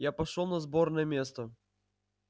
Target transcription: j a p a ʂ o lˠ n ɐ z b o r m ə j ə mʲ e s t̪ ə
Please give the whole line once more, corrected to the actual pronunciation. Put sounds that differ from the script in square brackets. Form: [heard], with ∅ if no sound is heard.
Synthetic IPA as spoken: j a p [ɐ] ʂ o lˠ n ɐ z b o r [n] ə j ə mʲ e s t̪ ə